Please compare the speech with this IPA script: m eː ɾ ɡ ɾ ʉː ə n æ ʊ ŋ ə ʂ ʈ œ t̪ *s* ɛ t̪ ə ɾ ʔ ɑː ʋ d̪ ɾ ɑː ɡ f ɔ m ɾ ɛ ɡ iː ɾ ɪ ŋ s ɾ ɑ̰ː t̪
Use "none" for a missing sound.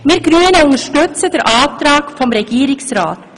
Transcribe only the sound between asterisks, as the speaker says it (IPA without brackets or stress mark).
s